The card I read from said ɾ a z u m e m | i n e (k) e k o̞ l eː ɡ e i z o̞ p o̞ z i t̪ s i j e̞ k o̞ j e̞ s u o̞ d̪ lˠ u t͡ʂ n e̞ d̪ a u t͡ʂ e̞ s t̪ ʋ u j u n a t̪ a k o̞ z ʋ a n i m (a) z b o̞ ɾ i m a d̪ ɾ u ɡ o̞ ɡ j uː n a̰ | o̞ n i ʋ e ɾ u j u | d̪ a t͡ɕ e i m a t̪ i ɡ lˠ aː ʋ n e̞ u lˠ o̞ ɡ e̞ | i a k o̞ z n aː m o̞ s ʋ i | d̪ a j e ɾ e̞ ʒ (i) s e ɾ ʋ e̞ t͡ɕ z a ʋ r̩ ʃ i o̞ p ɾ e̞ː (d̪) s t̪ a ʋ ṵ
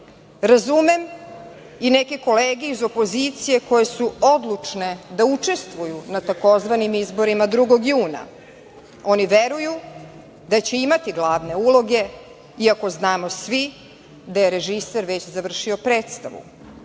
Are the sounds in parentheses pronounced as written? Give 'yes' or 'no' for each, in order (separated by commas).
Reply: yes, no, yes, no